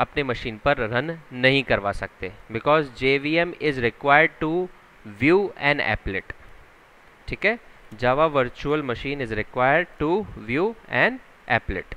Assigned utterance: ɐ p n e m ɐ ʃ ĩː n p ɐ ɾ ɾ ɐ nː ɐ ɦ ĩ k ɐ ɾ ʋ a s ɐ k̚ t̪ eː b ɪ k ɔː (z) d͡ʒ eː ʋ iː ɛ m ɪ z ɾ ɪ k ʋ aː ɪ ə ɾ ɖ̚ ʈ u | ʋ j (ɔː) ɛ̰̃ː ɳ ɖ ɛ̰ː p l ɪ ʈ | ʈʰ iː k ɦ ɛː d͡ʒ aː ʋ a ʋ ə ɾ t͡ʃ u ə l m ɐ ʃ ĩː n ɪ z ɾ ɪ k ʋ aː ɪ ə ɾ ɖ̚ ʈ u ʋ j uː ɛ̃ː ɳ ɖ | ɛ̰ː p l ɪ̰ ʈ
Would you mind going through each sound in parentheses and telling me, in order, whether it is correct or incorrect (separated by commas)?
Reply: correct, incorrect